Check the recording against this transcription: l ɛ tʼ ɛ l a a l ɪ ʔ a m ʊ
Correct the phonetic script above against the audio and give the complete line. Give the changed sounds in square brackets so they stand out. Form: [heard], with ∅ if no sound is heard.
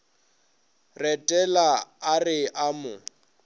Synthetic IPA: [r] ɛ tʼ ɛ l a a [r] ɪ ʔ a m ʊ